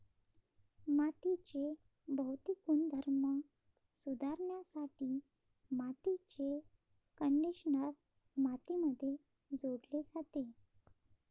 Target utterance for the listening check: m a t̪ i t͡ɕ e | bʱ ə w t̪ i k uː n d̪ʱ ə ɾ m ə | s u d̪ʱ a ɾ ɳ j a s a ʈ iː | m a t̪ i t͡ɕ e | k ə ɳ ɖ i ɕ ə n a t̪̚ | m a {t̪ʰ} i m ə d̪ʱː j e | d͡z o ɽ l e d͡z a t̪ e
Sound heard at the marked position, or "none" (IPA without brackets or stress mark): t̪